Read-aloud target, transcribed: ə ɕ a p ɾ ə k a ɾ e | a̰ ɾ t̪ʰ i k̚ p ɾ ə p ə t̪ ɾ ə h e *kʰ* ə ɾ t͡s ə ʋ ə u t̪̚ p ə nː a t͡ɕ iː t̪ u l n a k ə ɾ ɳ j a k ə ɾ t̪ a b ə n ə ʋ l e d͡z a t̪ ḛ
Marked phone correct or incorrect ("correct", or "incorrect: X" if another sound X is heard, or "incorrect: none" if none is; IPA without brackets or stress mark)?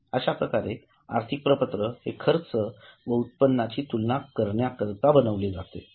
correct